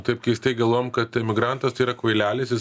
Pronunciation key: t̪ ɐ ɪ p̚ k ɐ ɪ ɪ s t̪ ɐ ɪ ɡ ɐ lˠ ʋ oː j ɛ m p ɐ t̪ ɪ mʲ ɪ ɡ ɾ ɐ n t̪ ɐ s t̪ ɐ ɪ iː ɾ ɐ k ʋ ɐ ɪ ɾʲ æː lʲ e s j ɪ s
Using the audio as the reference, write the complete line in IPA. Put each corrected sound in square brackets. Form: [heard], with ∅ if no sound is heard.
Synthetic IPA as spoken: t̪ ɐ ɪ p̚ k ɐ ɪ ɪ s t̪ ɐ ɪ ɡ ɐ lˠ ʋ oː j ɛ m [k] ɐ t̪ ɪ mʲ ɪ ɡ ɾ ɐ n t̪ ɐ s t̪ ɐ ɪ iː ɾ ɐ k ʋ ɐ ɪ [lʲ] æː lʲ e s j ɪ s